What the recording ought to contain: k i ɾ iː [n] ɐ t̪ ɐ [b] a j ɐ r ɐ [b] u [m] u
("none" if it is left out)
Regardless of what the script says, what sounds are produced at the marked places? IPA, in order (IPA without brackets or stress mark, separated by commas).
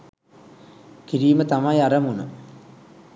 m, m, m, n